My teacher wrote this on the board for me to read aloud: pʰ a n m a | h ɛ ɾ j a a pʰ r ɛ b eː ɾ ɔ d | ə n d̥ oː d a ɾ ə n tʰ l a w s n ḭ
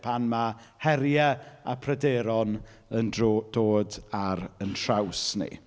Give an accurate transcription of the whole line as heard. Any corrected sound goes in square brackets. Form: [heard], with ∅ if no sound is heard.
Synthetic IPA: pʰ a n m a | h ɛ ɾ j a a pʰ r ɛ [d] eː ɾ ɔ [n] | ə n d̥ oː d a ɾ ə n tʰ [r] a w s n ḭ